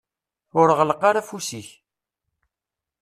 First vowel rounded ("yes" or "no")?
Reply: yes